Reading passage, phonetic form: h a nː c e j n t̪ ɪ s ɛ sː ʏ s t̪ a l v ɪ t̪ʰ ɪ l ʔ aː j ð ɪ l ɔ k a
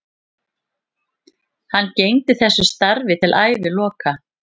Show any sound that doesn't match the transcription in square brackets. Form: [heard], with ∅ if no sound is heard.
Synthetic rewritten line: h a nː c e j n t̪ ɪ [θ] ɛ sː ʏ s t̪ a [ɾ] v ɪ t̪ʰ ɪ l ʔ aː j [v] ɪ l [ɔː] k a